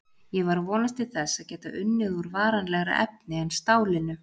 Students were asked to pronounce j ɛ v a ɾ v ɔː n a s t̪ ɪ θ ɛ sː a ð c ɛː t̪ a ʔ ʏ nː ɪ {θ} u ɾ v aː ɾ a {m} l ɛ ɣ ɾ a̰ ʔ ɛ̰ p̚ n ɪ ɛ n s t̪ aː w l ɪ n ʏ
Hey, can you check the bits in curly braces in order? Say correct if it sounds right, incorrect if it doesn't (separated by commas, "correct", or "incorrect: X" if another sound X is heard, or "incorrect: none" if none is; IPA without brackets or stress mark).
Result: incorrect: ð, incorrect: n